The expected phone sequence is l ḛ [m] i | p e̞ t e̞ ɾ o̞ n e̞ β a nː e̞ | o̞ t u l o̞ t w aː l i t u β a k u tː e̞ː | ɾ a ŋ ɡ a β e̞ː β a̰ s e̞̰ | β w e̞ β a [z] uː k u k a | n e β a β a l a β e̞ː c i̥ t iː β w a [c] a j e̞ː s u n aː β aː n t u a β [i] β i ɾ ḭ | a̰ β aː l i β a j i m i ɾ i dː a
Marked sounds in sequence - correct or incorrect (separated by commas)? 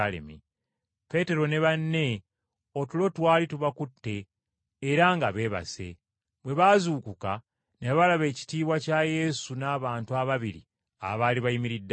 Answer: correct, correct, correct, incorrect